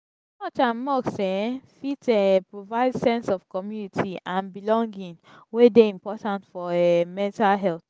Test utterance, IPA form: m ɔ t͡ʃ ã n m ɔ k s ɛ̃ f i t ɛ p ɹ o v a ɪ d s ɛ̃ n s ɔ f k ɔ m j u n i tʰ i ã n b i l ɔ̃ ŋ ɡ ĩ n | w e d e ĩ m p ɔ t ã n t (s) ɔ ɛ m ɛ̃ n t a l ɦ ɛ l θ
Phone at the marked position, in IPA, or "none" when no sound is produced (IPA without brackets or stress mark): f